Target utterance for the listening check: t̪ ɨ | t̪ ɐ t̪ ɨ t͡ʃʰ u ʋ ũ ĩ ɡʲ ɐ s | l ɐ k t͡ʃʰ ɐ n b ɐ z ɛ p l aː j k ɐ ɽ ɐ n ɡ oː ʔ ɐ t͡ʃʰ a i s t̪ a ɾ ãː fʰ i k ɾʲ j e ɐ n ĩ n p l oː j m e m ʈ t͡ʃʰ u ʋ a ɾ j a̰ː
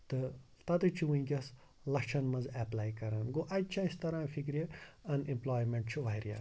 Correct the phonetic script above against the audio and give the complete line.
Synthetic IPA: t̪ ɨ | t̪ ɐ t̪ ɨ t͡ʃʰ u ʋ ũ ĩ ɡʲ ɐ s | l ɐ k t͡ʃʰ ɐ n m ɐ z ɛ p l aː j k ɐ ɾ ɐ n ɡ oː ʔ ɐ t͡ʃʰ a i s t̪ ɐ ɾ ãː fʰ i k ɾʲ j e ɐ n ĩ m p l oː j m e ɳ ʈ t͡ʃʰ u ʋ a ɾ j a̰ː